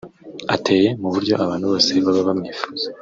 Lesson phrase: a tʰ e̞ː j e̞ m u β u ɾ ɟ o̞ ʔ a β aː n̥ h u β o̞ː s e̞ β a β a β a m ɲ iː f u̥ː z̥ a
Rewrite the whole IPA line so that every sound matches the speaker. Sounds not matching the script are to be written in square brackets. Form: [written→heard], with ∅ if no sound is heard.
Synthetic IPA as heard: a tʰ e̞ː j e̞ m u β u ɾ ɟ o̞ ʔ a β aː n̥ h u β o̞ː s e̞ β a β a β a m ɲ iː f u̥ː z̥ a

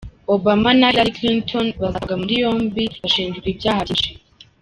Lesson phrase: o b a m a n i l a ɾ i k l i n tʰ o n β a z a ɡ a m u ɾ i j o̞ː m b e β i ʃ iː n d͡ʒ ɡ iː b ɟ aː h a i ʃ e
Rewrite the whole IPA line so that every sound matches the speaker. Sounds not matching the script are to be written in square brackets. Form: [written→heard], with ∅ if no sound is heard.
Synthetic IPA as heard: o b a m a n [i→a] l a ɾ i k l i n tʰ o n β a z a ɡ a m u ɾ i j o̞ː m b [e→i] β [i→a] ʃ iː n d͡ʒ ɡ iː b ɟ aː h a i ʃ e

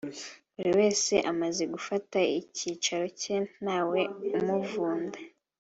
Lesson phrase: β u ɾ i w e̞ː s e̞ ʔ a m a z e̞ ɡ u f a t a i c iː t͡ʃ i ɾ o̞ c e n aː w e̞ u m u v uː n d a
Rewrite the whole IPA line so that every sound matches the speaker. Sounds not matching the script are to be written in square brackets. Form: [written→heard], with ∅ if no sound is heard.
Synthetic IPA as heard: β u ɾ i w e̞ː s e̞ ʔ a m a z e̞ ɡ u f a t a i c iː t͡ʃ [i→a] ɾ o̞ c e n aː w e̞ u m u v uː n d a

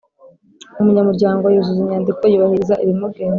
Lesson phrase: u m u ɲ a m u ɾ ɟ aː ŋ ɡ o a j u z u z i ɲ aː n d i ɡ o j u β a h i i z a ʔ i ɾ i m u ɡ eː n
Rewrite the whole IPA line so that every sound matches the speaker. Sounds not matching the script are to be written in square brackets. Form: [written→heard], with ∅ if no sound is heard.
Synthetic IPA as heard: u m u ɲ a m u ɾ ɟ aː ŋ ɡ o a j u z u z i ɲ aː n d i [ɡ→k] o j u β a h i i z a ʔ i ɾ i m u ɡ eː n

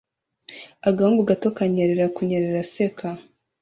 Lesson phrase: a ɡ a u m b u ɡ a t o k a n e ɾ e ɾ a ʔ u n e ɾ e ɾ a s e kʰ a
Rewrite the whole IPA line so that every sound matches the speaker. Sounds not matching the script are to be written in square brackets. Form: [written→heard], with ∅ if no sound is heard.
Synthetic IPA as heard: a ɡ a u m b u ɡ a t o k a [n→ɲ] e ɾ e ɾ a [ʔ→k] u [n→ɲ] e ɾ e ɾ a s e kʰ a

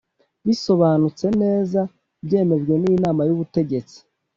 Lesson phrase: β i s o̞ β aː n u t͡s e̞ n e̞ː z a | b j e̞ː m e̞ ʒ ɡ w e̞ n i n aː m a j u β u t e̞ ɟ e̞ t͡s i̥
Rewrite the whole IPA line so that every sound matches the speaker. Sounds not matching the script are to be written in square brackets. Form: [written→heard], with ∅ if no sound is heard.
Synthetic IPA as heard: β i s o̞ β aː n u t͡s e̞ n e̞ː z a | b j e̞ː m e̞ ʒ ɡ w e̞ n i n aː m a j u β u t e̞ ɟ e̞ t͡s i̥

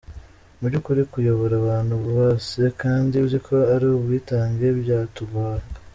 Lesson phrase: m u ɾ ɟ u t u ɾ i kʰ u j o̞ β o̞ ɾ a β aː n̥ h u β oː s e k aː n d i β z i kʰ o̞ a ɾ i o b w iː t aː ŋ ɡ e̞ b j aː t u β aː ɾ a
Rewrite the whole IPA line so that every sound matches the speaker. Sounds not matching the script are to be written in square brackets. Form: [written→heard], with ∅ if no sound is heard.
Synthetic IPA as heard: m u ɾ ɟ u [t→k] u ɾ i [kʰ→k] u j o̞ β o̞ ɾ a β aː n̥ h u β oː s e k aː n d i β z i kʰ o̞ a ɾ i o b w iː t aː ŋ ɡ e̞ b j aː t u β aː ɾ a

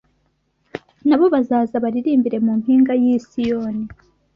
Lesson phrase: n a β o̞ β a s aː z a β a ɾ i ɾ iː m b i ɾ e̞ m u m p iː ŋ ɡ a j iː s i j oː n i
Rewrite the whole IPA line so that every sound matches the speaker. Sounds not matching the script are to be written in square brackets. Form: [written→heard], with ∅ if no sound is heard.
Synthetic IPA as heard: n a β o̞ β a [s→z] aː z a β a ɾ i ɾ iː m b i ɾ e̞ m u m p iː ŋ ɡ a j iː s i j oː n i

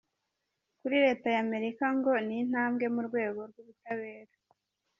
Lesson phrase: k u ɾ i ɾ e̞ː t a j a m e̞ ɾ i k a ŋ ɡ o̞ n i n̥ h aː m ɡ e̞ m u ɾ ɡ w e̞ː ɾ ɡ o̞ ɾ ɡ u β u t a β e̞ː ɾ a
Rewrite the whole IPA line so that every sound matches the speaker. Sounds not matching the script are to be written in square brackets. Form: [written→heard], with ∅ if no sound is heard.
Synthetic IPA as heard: k u ɾ i ɾ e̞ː t a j a m e̞ ɾ i k a ŋ ɡ o̞ n i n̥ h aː m ɡ e̞ m u ɾ ɡ w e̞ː [ɾ→∅] ɡ o̞ ɾ ɡ u β u t a β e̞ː ɾ a

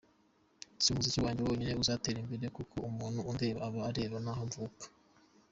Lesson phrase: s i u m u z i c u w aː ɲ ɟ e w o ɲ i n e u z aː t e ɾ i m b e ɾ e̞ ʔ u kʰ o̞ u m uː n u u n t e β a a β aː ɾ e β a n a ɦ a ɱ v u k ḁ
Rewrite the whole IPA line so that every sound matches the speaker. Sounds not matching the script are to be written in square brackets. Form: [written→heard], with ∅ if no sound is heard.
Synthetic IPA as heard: s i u m u z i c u w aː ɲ ɟ e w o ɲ i n e u z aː t e ɾ i m b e ɾ e̞ [ʔ→k] u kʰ o̞ u m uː n u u n [t→d] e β a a β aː ɾ e β a n a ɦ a ɱ v u k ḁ

